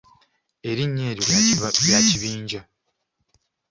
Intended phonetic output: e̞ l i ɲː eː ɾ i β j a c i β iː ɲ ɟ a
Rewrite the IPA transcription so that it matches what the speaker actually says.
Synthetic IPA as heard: e̞ ɾ i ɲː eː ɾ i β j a c i β iː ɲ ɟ a